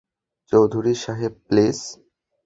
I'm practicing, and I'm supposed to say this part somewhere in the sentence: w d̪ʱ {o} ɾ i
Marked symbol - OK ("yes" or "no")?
no